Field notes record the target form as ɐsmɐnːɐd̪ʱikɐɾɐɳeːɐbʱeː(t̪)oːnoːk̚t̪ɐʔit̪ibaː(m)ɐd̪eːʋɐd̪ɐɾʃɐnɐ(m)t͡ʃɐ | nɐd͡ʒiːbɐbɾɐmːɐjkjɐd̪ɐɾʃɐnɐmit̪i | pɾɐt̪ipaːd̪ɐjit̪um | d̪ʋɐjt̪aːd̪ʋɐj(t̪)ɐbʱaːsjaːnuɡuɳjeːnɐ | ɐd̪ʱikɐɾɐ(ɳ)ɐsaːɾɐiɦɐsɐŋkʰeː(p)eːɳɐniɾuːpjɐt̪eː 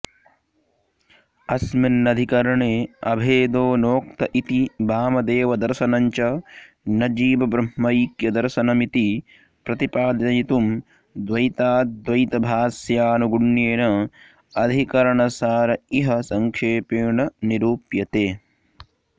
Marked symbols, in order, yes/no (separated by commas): no, yes, no, yes, yes, yes